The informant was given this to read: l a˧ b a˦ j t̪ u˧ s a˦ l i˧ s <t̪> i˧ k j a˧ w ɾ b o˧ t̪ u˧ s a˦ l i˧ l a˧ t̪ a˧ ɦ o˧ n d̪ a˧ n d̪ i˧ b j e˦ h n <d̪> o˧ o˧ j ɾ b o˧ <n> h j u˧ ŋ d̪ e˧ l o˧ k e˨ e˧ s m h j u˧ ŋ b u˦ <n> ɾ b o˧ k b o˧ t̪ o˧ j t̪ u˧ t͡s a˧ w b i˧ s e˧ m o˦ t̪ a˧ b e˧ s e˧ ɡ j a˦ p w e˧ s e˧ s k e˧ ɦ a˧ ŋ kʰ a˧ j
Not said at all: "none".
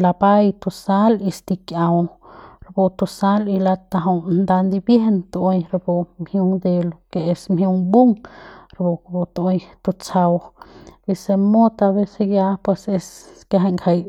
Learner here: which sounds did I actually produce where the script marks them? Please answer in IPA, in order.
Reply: t̪, t̪, m, ŋ

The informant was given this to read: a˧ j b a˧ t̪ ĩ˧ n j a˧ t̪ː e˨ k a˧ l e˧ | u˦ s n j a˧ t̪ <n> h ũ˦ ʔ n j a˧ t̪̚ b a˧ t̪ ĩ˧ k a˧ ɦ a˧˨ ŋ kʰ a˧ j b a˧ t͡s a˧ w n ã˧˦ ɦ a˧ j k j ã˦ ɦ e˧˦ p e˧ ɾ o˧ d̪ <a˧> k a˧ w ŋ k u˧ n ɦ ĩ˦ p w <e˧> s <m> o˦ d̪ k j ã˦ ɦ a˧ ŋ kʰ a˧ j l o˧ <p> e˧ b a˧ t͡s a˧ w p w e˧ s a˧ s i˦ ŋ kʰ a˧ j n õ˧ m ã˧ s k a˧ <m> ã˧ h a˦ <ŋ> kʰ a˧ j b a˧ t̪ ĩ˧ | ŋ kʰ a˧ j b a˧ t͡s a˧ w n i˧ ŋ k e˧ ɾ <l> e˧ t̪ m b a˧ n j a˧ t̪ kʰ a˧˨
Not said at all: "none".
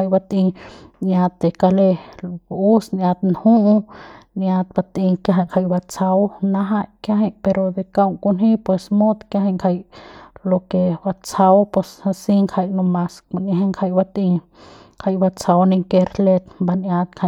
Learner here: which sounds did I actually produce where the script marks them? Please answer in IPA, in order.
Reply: n, e˧, e˧, m, k, n, ŋ, l

